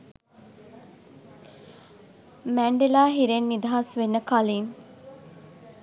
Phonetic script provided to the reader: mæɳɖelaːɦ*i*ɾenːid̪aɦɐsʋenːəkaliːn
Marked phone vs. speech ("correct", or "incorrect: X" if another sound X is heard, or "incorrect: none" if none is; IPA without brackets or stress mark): correct